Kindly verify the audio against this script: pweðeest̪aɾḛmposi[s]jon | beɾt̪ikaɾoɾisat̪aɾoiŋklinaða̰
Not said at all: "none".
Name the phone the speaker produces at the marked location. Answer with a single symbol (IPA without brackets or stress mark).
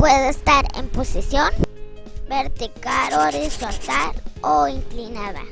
s